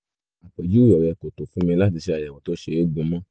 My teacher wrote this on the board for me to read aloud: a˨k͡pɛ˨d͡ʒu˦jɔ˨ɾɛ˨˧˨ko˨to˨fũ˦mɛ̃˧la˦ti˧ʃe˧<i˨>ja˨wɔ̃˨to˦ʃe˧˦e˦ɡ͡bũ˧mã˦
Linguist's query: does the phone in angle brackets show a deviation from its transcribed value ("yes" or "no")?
yes